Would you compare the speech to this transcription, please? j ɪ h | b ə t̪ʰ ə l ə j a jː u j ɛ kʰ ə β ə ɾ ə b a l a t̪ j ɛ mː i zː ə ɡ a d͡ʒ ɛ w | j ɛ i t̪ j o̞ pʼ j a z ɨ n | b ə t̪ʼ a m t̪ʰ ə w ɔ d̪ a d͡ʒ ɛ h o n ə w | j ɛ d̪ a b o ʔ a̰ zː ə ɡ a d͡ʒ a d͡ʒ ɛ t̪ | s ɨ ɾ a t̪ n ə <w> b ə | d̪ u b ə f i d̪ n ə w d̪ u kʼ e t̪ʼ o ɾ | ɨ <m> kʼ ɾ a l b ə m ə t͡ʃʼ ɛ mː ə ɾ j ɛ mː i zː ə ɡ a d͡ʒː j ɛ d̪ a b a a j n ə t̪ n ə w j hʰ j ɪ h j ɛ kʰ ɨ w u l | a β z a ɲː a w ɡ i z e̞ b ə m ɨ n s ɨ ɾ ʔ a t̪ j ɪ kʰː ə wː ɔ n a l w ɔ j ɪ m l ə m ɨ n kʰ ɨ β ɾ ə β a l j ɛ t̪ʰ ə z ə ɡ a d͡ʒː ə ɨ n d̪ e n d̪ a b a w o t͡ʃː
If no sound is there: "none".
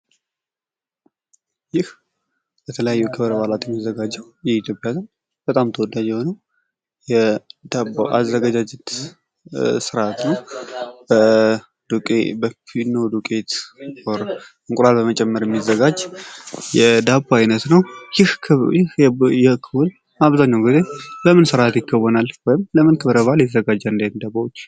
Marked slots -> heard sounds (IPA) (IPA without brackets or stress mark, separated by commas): w, ŋ